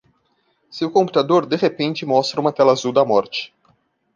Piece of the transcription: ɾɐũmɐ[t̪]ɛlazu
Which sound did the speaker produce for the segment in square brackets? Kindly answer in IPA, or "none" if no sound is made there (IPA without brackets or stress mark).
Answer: t̪